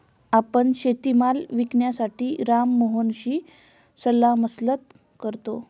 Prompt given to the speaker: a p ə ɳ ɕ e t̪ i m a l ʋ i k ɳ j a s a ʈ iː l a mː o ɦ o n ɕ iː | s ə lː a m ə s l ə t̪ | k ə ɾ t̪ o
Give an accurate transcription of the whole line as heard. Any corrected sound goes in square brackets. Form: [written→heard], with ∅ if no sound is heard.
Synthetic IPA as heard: a p ə ɳ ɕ e t̪ i m a l ʋ i k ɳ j a s a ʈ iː [l→ɾ] a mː o ɦ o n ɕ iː | s ə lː a m ə s l ə t̪ | k ə ɾ t̪ o